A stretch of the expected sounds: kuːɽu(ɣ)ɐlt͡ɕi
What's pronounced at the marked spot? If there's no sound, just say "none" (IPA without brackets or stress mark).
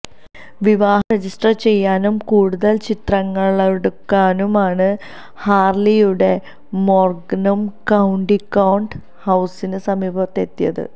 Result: ð